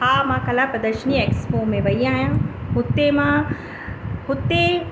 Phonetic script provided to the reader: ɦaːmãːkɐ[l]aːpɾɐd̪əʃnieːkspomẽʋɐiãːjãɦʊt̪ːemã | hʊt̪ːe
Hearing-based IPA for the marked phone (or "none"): l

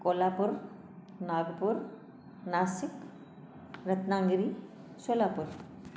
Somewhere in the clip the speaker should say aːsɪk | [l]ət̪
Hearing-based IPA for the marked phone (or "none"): ɾ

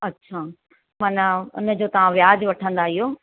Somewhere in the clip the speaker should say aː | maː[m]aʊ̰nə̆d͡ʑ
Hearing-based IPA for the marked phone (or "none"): n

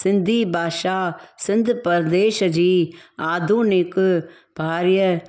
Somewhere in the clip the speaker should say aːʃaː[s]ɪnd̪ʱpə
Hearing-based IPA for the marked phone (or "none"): s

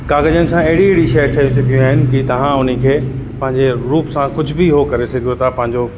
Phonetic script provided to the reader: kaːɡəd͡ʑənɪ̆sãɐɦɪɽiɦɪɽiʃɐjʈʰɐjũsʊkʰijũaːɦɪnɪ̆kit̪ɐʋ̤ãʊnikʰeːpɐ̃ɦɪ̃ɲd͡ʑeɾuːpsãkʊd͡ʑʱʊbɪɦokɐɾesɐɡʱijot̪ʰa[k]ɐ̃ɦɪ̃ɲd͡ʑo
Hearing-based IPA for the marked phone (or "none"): p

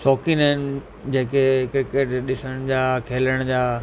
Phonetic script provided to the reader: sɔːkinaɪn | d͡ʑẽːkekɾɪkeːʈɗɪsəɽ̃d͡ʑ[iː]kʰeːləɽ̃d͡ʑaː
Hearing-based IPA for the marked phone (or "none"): aː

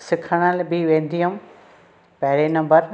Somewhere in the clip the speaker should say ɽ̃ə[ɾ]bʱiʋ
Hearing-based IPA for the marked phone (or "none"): l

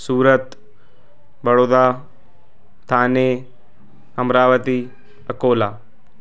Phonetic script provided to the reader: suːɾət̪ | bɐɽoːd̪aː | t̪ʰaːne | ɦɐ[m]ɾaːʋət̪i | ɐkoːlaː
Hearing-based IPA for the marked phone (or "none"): m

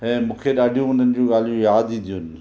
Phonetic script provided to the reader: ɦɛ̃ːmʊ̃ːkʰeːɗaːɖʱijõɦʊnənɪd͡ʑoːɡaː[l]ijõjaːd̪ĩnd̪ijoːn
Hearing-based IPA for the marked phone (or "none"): l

